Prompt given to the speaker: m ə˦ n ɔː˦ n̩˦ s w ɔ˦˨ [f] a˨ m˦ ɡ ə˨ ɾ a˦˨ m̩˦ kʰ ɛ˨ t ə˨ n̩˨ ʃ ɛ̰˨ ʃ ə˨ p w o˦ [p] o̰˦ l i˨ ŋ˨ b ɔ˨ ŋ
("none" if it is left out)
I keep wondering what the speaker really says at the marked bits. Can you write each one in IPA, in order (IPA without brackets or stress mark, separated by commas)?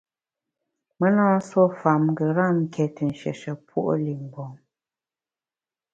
f, ʔ